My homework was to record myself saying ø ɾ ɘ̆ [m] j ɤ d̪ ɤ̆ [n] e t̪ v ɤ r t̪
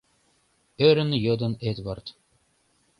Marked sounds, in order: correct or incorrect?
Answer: incorrect: n, correct

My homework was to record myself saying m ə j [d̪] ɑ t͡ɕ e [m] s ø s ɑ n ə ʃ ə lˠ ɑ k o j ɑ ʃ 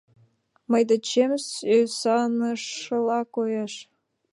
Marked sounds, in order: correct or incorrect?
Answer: correct, correct

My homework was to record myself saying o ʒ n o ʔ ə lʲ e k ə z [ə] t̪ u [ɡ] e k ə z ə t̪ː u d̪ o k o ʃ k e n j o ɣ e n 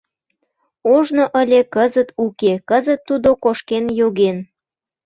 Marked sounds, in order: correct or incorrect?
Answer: correct, incorrect: k

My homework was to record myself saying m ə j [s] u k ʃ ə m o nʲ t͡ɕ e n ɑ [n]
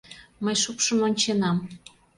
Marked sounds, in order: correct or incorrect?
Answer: incorrect: ʃ, incorrect: m

